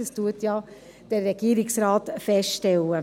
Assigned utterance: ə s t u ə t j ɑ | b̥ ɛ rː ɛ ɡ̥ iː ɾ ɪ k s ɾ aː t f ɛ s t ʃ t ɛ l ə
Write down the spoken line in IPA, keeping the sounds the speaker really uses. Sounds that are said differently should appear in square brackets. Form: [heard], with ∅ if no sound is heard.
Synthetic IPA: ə s t u ə t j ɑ | [d̥] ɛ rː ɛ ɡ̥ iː ɾ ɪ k s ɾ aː t f ɛ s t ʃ t ɛ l ə